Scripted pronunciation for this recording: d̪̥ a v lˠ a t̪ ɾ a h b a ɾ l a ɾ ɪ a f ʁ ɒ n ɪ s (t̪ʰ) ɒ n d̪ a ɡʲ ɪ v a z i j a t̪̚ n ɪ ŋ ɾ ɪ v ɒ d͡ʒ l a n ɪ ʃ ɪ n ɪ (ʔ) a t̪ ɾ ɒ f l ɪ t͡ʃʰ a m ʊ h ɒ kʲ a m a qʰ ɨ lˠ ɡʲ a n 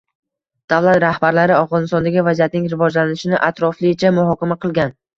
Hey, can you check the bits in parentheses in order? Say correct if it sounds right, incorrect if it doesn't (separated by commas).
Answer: incorrect, correct